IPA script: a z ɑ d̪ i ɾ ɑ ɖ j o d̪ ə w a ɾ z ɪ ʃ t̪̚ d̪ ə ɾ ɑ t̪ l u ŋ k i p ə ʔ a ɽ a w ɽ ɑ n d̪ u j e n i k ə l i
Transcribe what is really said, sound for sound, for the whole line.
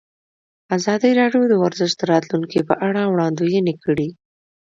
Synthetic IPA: a z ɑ d̪ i ɾ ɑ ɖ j o d̪ ə w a ɾ z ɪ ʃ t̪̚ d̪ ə ɾ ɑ t̪ l u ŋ k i p ə ʔ a ɽ a w ɽ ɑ n d̪ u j e n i k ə ɽ i